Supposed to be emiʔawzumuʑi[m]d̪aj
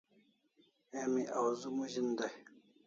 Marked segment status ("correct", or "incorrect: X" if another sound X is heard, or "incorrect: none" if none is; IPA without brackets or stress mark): incorrect: n